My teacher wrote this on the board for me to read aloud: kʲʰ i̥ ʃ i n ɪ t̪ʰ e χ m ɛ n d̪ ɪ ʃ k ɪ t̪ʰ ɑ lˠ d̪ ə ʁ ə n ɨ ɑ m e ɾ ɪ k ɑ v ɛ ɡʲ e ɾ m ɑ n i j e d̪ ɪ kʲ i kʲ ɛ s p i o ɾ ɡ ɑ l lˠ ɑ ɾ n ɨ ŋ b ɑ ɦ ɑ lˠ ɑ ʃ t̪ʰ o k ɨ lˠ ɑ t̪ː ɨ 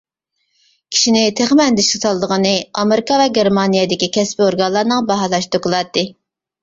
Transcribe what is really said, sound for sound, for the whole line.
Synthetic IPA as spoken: kʲʰ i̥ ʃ i n ɪ t̪ʰ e χ m ɛ n d̪ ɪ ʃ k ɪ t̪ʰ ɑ lˠ d̪ ə ʁ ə n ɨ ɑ m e ɾ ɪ k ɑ v ɛ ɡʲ e ɾ m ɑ n i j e d̪ ɪ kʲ i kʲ ɛ s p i o ɾ ɡ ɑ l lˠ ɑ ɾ n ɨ ŋ b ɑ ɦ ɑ lˠ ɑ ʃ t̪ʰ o k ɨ lˠ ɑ t̪ː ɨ

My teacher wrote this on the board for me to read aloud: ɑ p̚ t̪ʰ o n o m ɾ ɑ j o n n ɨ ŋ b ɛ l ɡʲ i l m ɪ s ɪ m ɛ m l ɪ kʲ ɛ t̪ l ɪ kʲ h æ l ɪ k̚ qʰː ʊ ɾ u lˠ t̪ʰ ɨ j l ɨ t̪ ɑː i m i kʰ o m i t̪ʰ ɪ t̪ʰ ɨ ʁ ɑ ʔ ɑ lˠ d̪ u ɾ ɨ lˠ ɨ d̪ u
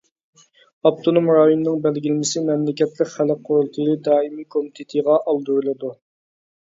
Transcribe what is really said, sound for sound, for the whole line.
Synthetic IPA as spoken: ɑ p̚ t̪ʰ o n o m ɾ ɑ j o n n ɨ ŋ b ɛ l ɡʲ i l m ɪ s ɪ m ɛ m l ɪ kʲ ɛ t̪ l ɪ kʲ χ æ l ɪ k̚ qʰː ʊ ɾ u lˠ t̪ʰ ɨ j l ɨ d̪ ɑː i m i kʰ o m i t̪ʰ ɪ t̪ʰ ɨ ʁ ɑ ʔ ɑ lˠ d̪ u ɾ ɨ lˠ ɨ d̪ u

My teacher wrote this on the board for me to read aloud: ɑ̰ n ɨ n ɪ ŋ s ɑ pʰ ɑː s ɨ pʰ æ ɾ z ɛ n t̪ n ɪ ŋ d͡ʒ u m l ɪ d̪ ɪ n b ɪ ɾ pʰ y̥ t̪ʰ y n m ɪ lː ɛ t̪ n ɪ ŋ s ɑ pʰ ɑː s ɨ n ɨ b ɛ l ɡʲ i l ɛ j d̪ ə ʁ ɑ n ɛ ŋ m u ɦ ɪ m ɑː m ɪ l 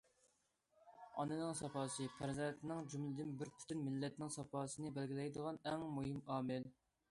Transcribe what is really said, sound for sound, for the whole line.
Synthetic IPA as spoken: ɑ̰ n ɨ n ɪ ŋ s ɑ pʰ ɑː s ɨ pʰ æ ɾ z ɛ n t̪ n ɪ ŋ d͡ʒ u m l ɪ d̪ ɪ n b ɪ ɾ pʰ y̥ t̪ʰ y n m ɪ lː ɛ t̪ n ɪ ŋ s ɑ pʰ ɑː s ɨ n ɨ b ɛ l ɡʲ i l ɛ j d̪ ə ʁ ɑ n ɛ ŋ m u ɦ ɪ m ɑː m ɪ l

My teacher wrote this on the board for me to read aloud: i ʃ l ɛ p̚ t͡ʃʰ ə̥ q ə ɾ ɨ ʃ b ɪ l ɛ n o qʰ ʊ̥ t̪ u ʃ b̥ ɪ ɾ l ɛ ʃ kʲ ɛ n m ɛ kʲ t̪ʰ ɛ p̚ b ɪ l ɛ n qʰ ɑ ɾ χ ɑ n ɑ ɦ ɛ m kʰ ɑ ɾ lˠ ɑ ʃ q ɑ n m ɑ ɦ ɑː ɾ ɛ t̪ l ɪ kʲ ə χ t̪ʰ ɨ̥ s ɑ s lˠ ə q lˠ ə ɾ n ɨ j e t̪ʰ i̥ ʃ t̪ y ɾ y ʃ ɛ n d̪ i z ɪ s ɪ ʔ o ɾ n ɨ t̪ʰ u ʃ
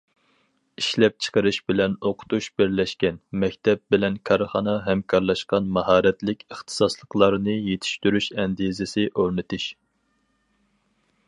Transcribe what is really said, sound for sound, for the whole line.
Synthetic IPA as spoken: i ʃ l ɛ p̚ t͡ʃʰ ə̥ q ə ɾ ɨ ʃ b ɪ l ɛ n o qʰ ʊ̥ t̪ u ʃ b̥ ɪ ɾ l ɛ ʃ kʲ ɛ n m ɛ kʲ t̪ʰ ɛ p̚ b ɪ l ɛ n kʰ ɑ ɾ χ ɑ n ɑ ɦ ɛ m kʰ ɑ ɾ lˠ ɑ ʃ q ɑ n m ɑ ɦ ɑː ɾ ɛ t̪ l ɪ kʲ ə χ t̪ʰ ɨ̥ s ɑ s lˠ ə q lˠ ɑ ɾ n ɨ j e t̪ʰ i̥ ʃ t̪ y ɾ y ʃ ɛ n d̪ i z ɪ s ɪ ʔ o ɾ n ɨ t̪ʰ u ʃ

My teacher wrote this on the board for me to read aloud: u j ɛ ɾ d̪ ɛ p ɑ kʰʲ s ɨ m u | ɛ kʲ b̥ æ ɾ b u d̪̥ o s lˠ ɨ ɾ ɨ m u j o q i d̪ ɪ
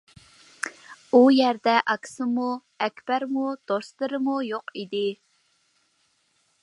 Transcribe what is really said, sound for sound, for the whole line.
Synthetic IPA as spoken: u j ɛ ɾ d̪ ɛ ʔ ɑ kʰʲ s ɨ m u | ɛ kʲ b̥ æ ɾ m u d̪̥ o s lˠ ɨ ɾ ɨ m u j o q i d̪ ɪ

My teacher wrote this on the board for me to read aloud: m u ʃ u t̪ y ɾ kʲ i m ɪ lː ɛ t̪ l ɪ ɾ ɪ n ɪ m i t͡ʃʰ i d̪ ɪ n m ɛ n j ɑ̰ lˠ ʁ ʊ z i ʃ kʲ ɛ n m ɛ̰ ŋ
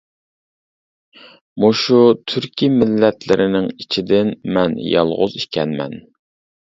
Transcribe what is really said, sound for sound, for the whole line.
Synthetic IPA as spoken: m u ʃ u t̪ʰ y ɾ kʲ i m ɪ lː ɛ t̪ l ɪ ɾ ɪ n ɪ ŋ i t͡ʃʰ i d̪ ɪ n m ɛ n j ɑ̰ lˠ ʁ ʊ z i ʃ kʲ ɛ n m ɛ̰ n

